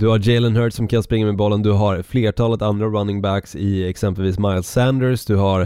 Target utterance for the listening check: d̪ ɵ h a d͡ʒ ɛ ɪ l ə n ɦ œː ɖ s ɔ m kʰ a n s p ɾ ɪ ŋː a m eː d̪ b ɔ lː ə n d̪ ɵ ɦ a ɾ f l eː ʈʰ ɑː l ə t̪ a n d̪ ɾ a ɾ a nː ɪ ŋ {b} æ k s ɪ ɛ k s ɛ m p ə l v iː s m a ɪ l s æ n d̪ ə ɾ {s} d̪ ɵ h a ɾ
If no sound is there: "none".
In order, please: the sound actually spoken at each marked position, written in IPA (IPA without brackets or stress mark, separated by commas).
b, s